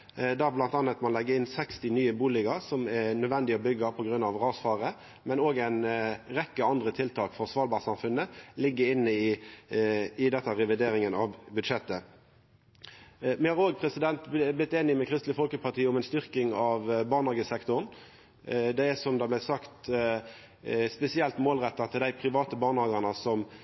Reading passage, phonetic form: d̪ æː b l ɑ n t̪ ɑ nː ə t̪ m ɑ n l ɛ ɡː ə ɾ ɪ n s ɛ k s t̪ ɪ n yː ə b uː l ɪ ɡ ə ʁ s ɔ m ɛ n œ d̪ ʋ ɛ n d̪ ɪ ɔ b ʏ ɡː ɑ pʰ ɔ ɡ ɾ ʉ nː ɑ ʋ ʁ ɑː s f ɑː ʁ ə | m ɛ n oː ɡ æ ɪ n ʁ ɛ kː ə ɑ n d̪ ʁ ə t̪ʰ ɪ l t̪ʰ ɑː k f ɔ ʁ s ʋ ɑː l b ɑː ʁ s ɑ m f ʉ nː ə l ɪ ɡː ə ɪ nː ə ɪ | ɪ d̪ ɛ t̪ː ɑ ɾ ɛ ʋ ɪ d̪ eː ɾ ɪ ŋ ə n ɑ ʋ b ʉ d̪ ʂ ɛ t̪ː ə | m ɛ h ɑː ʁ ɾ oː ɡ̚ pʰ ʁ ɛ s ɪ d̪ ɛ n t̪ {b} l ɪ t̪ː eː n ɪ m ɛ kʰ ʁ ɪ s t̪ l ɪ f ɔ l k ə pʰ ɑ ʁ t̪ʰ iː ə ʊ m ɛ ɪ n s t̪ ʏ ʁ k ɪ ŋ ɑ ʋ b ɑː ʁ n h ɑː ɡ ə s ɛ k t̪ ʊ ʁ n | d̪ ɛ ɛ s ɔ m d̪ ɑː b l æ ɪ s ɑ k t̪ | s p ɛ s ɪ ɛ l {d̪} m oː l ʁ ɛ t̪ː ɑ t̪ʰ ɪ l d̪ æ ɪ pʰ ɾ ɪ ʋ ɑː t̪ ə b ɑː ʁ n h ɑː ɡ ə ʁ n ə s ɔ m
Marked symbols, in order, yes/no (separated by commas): yes, no